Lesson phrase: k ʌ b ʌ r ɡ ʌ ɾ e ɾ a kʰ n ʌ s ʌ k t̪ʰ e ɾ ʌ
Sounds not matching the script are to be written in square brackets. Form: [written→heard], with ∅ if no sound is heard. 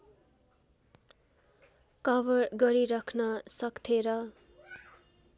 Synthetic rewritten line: k ʌ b ʌ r ɡ ʌ ɾ [e→i] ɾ [a→ʌ] kʰ n ʌ s ʌ k t̪ʰ e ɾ ʌ